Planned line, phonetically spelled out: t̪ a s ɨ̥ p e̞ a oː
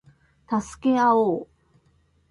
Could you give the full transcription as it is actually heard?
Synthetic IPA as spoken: t̪ a s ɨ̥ k e̞ a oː